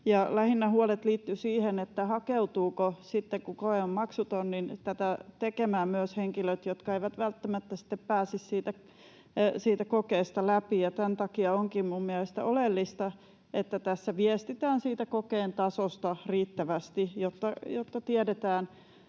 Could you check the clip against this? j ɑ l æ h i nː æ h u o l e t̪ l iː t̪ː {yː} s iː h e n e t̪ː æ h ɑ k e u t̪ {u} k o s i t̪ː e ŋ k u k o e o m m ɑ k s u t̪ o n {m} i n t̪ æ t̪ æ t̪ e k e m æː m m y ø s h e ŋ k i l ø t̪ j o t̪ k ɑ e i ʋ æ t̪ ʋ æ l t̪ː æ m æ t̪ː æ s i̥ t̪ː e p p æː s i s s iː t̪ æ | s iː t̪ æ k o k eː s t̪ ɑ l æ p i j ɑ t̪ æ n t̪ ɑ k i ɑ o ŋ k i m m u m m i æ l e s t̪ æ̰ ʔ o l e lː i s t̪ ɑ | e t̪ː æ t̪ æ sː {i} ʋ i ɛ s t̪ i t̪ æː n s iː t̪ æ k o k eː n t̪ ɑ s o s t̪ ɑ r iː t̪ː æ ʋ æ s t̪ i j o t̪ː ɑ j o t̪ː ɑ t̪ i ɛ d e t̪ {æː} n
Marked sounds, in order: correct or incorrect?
incorrect: y, incorrect: uː, incorrect: n, incorrect: æ, correct

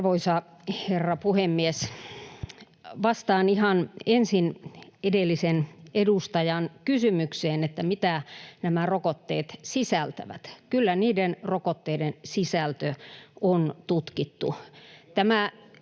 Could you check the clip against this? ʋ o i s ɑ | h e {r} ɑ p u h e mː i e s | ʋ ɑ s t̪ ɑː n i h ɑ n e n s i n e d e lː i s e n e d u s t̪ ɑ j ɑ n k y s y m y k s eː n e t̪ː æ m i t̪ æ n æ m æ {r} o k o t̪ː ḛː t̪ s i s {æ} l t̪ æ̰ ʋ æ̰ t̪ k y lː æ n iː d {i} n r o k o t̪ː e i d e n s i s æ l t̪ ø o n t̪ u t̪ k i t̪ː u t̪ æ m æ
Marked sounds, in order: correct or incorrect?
incorrect: rː, correct, correct, incorrect: e

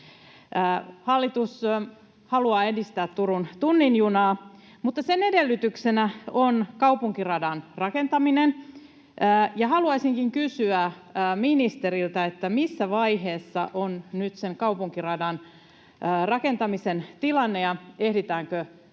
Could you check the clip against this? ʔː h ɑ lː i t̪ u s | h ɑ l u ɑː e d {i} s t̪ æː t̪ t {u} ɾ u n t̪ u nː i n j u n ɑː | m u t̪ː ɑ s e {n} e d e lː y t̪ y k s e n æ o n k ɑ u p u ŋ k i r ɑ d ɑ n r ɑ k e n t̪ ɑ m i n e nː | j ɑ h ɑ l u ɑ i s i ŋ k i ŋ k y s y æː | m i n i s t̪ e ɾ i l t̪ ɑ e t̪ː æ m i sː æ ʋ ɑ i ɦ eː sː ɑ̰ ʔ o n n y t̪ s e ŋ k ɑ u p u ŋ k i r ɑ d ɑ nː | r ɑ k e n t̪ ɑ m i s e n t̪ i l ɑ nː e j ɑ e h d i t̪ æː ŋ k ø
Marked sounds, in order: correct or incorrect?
correct, correct, correct

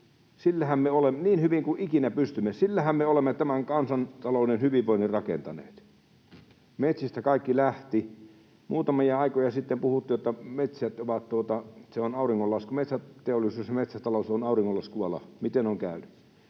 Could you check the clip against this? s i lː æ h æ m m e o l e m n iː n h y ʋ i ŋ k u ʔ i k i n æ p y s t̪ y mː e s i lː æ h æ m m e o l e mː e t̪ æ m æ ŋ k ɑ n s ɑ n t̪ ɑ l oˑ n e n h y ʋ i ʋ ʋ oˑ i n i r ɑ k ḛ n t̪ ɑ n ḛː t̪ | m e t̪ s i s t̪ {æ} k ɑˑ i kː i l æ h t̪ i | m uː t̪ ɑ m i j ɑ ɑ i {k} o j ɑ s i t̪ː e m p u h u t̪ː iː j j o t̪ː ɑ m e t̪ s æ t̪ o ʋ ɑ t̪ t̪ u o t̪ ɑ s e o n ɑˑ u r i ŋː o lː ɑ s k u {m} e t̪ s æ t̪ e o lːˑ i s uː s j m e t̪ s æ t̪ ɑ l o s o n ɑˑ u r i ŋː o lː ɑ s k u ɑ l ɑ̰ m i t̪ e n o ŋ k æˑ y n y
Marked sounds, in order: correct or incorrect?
correct, correct, correct

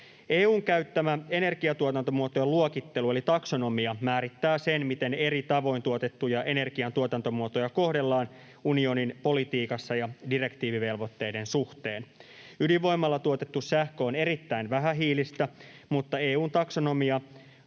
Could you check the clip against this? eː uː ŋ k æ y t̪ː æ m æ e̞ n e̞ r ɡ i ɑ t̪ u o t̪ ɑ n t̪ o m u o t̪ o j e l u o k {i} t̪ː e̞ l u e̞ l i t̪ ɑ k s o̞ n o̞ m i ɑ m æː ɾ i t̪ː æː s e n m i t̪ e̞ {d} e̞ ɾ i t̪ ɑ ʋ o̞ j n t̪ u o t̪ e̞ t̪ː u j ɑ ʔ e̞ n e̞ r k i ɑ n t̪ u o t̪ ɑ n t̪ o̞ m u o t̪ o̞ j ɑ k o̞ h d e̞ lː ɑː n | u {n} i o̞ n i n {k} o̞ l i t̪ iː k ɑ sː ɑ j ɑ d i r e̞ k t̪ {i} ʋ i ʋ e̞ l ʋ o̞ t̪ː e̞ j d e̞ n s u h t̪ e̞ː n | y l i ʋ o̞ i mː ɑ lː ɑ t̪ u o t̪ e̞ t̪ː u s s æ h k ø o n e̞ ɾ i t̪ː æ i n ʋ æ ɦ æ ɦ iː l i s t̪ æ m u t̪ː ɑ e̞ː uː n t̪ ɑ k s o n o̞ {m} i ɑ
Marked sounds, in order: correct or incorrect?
correct, incorrect: n, correct, incorrect: p, incorrect: iː, correct

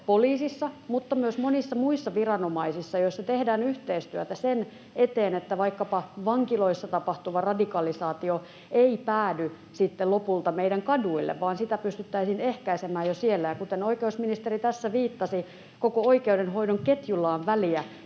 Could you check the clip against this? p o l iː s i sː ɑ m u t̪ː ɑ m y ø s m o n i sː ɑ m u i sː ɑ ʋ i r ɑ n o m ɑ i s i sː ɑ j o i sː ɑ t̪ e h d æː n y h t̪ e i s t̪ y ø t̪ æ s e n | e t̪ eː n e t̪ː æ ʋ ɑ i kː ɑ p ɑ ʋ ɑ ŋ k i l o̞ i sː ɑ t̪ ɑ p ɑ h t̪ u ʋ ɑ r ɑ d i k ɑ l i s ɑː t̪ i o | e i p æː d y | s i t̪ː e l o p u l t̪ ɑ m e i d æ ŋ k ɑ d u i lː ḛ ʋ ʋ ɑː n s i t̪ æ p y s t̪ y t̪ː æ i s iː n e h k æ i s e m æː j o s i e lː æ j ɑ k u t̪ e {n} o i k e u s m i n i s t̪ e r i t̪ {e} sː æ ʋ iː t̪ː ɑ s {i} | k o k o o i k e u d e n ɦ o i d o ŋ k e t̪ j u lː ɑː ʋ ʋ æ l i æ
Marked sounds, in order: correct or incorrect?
correct, incorrect: æ, correct

